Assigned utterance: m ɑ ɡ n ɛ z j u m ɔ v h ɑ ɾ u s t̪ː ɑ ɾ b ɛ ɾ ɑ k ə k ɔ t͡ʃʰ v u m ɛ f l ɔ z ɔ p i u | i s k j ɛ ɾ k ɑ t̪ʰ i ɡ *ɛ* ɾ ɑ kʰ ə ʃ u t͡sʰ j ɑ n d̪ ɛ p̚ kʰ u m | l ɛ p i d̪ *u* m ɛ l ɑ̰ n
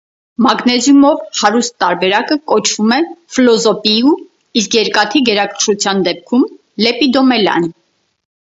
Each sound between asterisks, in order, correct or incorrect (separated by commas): correct, incorrect